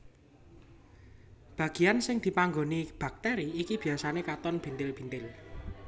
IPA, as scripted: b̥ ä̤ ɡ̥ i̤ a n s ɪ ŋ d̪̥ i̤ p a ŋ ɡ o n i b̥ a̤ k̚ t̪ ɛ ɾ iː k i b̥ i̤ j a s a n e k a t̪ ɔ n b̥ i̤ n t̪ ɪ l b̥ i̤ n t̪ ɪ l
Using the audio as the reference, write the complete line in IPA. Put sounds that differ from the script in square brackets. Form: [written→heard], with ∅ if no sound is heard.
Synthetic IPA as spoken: b̥ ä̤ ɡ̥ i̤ a n s ɪ ŋ d̪̥ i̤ p a ŋ ɡ o n i b̥ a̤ k̚ t̪ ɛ ɾ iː k i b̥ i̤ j a s a n e k a t̪ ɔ n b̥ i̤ n t̪ ɪ l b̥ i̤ n t̪ ɪ l

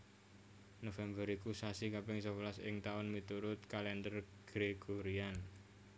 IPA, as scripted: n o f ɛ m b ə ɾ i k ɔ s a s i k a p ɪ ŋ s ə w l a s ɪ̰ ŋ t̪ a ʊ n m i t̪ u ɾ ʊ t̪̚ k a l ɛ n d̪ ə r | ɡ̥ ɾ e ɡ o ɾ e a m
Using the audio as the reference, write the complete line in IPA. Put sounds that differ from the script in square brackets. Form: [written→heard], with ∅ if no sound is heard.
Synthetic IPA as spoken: n o f ɛ m b ə ɾ i k [ɔ→u] s a s i k a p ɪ ŋ s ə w l a s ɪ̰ ŋ t̪ a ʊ n m i t̪ u ɾ ʊ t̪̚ k a l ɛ n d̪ ə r | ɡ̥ ɾ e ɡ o ɾ [e→i] a [m→n]

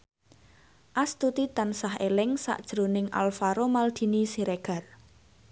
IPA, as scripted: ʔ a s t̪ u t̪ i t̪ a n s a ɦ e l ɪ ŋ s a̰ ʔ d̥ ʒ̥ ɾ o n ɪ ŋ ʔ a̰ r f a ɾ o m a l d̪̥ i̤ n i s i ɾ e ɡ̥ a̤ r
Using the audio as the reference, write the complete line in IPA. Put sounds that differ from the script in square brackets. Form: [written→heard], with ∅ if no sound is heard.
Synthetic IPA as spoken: ʔ a s t̪ u t̪ i t̪ a n s a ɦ e l ɪ ŋ s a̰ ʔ d̥ ʒ̥ ɾ o n ɪ ŋ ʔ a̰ [r→l] f a ɾ o m a l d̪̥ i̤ n i s i ɾ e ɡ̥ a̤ r

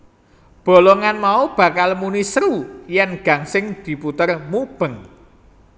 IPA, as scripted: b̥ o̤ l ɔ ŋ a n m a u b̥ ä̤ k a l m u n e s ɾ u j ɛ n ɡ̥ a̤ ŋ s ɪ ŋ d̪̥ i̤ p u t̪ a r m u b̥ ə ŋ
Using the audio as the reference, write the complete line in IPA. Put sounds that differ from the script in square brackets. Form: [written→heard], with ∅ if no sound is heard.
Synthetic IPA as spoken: b̥ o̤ l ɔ ŋ a n m a u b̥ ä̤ k a l m u n [e→i] s ɾ u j ɛ n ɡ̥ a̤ ŋ s ɪ ŋ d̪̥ i̤ p u t̪ [a→ə] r m u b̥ ə ŋ

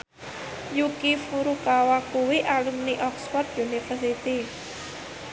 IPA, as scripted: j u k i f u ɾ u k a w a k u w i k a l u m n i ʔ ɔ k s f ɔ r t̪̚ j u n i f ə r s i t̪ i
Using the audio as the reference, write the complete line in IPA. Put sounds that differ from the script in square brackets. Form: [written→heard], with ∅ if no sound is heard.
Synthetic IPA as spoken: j u k i f u ɾ u k a w a k u w i [k→ʔ] a l u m n i ʔ ɔ k s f ɔ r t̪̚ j u n i f ə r s i t̪ i

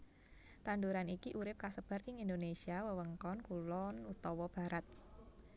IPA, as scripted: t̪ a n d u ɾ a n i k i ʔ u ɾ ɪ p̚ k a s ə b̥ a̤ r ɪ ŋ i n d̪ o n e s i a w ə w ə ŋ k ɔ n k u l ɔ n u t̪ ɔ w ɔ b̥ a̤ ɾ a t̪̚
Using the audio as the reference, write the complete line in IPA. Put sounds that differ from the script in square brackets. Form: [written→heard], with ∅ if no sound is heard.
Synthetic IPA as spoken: t̪ a n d u ɾ a n i k i ʔ u ɾ ɪ p̚ k a s ə b̥ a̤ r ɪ ŋ i n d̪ o n e s i a w ə w ə ŋ k ɔ n k u l ɔ n u t̪ ɔ w ɔ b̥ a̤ ɾ a t̪̚

